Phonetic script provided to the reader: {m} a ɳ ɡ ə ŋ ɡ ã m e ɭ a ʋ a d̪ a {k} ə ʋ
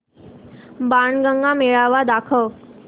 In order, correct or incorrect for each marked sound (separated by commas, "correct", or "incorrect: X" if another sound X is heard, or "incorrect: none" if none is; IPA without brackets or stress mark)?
incorrect: b, incorrect: kʰ